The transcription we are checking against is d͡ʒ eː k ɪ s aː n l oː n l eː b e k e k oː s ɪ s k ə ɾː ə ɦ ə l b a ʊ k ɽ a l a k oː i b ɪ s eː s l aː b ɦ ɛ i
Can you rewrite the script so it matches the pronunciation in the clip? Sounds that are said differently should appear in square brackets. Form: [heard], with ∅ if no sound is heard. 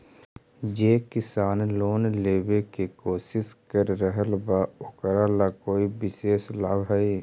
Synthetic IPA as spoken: d͡ʒ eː k ɪ s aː n l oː n l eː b e k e k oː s ɪ s k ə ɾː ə ɦ ə l b a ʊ k [ɾ] a l a k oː i b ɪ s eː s l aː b ɦ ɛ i